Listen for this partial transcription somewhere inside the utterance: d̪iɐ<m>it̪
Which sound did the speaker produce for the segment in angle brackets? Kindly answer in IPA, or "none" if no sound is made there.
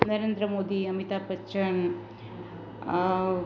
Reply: m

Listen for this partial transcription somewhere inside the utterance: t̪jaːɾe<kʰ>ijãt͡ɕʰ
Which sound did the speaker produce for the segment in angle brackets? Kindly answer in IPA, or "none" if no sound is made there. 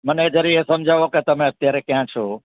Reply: k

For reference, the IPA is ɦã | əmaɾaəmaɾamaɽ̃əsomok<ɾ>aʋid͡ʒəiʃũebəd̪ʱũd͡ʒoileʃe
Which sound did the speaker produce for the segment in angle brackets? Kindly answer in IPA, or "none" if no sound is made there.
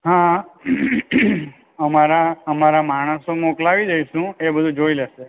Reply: l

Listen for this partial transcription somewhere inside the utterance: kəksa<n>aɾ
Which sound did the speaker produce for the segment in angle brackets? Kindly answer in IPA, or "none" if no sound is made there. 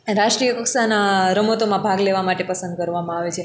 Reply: n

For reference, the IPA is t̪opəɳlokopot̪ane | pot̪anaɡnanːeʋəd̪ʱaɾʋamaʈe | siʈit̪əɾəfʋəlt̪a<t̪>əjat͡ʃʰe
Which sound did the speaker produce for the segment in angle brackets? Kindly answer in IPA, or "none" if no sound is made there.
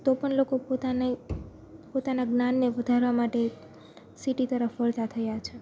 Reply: t̪ʰ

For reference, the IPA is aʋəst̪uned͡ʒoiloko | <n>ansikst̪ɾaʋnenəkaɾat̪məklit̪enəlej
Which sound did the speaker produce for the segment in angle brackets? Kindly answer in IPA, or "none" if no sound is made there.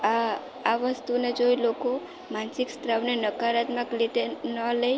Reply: m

